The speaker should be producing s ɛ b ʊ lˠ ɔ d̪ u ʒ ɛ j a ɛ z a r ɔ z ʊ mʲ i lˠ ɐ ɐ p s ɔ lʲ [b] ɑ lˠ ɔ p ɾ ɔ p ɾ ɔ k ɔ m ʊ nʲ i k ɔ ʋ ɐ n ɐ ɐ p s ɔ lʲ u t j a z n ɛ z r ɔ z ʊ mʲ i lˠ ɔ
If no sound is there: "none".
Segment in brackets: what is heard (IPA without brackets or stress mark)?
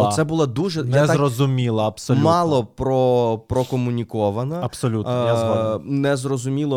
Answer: m